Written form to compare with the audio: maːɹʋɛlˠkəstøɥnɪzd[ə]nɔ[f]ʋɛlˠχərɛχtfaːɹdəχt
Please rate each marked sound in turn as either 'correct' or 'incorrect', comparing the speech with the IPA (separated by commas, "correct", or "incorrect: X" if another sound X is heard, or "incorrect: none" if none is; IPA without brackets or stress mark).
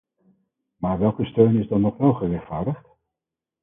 incorrect: ɑ, incorrect: χ